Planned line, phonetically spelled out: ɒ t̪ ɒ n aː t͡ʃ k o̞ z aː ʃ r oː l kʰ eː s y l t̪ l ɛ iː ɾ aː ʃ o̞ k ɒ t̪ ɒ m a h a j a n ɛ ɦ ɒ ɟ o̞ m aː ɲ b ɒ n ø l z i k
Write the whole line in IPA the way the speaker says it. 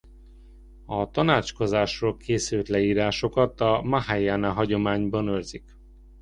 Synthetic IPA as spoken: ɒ t̪ ɒ n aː t͡ʃ k o̞ z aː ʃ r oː l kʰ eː s y l t̪ l ɛ iː ɾ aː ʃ o̞ k ɒ t̪ ɒ m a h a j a n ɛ ɦ ɒ ɟ o̞ m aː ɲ b ɒ n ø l z i k